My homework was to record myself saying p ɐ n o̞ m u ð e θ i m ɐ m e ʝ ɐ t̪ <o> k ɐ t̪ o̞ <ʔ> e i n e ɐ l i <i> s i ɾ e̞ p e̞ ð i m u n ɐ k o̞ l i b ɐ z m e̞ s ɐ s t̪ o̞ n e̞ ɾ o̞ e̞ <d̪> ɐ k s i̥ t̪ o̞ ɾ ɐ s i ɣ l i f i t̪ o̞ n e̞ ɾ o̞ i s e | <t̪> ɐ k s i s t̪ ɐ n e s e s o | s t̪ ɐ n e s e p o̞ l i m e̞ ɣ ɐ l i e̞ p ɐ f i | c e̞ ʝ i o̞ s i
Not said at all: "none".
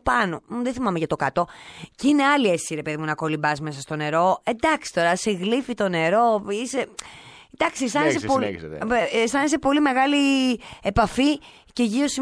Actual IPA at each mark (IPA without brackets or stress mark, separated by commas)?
o, c, e, d̪, d̪